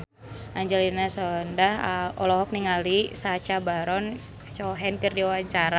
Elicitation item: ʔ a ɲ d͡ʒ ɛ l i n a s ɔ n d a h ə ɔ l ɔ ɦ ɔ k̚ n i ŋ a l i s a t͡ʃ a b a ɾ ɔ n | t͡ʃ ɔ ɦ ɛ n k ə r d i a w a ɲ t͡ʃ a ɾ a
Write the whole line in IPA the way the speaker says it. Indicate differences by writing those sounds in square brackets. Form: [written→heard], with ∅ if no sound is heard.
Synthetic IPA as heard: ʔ a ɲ d͡ʒ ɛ l i n a s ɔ n d a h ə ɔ l ɔ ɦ ɔ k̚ n i ŋ a l i s a t͡ʃ a b a ɾ ɔ n | t͡ʃ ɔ ɦ ɛ n k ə r d i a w a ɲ t͡ʃ a ɾ a